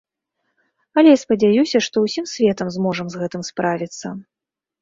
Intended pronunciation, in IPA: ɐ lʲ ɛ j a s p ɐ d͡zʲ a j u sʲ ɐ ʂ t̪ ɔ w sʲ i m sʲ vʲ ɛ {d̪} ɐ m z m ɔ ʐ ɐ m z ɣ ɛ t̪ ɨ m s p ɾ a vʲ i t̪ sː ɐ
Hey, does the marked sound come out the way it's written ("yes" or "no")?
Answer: no